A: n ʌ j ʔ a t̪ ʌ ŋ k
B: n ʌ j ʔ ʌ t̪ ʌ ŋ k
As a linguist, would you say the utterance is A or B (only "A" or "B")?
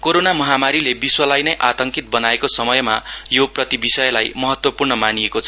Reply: A